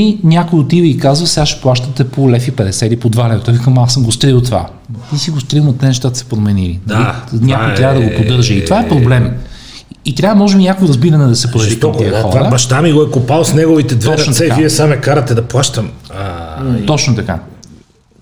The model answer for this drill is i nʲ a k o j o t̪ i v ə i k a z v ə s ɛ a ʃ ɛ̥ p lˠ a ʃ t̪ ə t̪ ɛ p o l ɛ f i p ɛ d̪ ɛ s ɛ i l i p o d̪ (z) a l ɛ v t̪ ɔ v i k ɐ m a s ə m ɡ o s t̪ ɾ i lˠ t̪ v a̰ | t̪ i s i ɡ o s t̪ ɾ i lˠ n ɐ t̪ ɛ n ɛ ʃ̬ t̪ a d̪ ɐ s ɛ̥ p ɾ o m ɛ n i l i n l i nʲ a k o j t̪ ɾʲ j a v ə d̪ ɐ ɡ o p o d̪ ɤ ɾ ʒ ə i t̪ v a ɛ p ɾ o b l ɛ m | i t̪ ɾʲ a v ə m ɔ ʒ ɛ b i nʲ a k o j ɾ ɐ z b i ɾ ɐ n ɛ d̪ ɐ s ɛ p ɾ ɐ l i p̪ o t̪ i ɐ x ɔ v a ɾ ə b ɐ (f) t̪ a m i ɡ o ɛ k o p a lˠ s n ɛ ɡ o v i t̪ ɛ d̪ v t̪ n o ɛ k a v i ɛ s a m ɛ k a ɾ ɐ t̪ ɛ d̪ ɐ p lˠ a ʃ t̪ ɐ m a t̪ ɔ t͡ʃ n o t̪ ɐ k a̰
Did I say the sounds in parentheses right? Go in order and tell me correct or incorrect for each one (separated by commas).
incorrect, incorrect